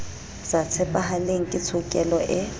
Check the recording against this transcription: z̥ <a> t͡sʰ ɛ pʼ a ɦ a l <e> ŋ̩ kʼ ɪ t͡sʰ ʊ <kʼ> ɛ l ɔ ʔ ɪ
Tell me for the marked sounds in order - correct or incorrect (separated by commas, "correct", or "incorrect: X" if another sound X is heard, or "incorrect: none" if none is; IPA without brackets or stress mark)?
correct, correct, correct